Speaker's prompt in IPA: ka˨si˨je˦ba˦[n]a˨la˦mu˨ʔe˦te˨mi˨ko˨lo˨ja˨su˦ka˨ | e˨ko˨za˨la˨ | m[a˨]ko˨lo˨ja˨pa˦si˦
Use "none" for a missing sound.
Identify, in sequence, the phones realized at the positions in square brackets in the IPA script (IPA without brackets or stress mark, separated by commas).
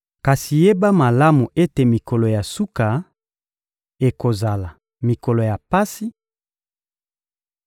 m, i˨